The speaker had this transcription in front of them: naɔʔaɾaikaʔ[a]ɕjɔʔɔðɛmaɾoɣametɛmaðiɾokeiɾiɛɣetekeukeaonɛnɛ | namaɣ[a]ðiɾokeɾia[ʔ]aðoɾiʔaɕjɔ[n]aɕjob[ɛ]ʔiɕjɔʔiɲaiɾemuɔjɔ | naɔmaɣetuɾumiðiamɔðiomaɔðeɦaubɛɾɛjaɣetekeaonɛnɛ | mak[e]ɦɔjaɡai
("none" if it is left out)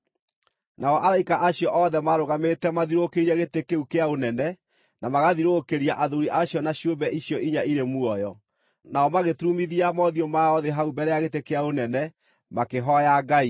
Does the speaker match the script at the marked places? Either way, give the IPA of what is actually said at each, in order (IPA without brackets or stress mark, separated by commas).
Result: a, a, ʔ, n, ɛ, e